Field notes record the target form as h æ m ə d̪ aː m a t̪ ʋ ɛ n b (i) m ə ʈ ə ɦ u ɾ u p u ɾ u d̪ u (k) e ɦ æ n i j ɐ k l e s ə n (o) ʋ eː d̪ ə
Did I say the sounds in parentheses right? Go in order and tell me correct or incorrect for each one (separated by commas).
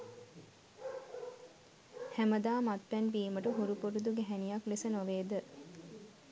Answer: incorrect, incorrect, correct